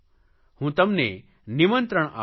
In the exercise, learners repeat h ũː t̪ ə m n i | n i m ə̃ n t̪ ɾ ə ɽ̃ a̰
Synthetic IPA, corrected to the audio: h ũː t̪ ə m n e | n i m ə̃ n t̪ ɾ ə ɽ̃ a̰